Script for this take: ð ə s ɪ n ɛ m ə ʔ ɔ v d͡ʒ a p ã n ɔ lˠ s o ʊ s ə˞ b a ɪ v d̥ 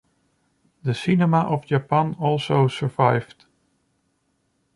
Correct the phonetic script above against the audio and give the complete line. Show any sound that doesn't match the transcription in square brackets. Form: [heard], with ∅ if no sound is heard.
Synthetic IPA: ð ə s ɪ n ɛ m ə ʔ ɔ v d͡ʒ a p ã n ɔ lˠ s o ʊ s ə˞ [v] a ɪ v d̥